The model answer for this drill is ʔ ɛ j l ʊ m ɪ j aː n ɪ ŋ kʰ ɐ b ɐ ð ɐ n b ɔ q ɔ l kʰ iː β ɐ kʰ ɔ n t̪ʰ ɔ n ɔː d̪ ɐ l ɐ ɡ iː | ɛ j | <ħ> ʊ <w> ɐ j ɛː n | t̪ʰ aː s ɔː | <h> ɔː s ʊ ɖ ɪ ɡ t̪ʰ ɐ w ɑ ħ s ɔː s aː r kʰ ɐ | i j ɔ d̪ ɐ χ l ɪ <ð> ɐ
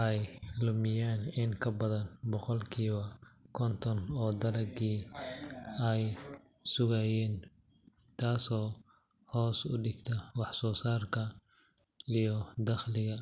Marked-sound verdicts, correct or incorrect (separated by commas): incorrect, incorrect, correct, incorrect